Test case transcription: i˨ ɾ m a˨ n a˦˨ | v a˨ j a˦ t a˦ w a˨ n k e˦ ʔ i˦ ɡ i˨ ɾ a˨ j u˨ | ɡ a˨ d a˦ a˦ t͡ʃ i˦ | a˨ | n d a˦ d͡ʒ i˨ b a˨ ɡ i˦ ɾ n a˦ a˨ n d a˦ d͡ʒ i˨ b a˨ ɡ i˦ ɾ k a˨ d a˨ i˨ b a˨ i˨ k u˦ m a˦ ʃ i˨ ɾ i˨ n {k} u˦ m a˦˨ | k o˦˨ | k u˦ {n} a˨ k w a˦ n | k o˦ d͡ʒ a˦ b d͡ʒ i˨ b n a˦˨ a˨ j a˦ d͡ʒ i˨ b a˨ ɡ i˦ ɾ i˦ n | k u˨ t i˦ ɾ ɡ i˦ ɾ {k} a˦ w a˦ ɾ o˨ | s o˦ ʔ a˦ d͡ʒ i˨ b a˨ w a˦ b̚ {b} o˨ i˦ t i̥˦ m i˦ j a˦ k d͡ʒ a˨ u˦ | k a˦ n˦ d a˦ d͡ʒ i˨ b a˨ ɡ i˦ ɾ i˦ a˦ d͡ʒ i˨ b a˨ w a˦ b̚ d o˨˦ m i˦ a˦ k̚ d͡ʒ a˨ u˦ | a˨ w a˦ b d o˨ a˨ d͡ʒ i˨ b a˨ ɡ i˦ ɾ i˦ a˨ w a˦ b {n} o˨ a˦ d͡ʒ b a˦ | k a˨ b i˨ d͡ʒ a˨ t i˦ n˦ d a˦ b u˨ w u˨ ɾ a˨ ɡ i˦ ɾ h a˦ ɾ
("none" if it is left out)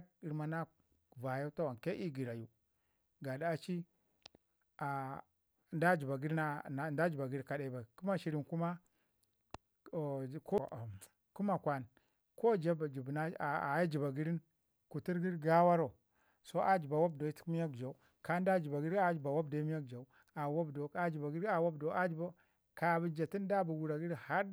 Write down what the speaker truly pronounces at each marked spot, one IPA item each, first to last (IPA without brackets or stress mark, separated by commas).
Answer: k, m, ɡ, d, d